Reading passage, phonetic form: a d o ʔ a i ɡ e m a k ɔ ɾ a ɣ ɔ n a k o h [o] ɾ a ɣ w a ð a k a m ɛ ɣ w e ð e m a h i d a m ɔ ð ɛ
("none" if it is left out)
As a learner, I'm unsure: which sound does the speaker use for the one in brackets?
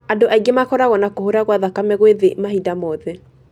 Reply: o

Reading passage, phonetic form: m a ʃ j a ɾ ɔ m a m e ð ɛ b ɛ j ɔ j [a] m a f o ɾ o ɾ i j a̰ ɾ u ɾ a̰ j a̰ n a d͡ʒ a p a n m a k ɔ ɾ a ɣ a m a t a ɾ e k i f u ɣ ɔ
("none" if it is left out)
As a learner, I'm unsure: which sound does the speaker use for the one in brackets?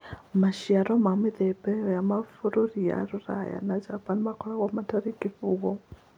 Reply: a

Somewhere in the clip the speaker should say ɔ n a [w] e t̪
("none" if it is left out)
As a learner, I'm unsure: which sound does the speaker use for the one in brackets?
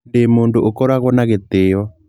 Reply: ɣ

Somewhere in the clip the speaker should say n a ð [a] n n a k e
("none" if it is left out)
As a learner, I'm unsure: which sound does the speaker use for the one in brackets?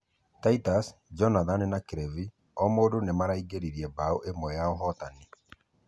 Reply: a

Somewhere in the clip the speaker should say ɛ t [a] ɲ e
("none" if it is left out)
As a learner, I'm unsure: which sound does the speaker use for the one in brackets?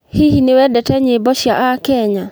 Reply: ɛ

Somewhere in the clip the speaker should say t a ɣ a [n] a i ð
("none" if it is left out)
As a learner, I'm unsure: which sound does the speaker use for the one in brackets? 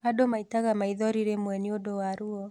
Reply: m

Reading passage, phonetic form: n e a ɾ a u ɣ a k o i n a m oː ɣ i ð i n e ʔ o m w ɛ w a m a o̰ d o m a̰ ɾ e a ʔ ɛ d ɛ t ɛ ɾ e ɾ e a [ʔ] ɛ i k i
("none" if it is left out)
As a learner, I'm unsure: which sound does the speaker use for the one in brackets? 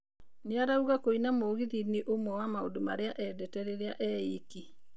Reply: ʔ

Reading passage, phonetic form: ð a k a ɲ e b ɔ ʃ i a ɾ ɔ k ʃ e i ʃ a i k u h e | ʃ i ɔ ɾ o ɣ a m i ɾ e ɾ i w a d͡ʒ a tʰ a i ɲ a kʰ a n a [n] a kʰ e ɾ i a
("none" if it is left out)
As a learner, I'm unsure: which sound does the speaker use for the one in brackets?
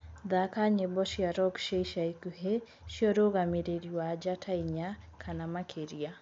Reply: m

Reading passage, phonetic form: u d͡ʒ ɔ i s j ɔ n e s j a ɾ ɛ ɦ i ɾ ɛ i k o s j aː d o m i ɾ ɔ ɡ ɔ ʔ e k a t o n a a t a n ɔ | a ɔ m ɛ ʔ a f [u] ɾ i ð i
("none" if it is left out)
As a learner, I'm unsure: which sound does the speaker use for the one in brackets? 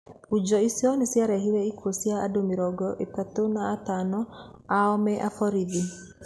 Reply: ɔ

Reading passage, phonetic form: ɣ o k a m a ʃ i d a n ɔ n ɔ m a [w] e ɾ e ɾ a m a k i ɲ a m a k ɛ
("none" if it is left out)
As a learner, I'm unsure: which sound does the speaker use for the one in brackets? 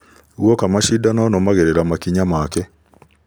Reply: ɣ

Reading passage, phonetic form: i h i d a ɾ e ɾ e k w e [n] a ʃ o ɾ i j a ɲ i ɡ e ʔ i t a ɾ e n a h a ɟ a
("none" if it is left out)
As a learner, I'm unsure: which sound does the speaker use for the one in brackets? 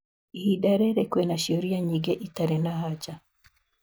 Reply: n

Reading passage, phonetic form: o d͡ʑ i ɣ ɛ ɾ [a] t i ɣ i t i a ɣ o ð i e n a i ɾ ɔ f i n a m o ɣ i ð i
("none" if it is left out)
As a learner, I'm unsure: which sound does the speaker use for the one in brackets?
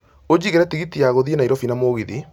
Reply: ɛ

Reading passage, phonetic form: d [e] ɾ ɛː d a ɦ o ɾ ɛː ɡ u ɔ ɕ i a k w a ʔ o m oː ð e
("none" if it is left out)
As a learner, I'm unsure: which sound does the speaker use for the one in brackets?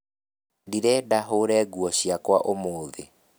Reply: i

